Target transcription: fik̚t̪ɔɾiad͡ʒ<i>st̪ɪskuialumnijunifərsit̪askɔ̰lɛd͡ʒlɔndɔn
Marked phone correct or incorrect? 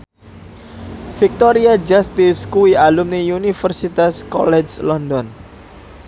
incorrect